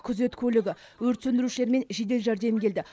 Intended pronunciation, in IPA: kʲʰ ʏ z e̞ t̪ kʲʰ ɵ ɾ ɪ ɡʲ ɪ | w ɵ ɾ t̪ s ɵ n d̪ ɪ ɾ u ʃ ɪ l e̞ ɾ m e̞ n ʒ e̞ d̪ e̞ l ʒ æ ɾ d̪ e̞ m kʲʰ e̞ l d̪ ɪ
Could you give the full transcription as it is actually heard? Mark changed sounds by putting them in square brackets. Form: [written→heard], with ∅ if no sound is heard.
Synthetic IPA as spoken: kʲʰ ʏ z e̞ t̪ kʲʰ ɵ [ɾ→l] ɪ ɡʲ ɪ | w ɵ ɾ t̪ s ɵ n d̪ ɪ ɾ u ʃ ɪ l e̞ ɾ m e̞ n ʒ e̞ d̪ e̞ l ʒ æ ɾ d̪ e̞ m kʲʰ e̞ l d̪ ɪ